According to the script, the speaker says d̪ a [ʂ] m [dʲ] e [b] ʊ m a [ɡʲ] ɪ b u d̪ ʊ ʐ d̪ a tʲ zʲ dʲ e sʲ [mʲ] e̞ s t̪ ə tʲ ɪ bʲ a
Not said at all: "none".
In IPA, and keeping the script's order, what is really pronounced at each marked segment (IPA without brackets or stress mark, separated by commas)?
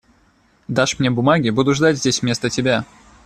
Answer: ʂ, nʲ, b, ɡʲ, mʲ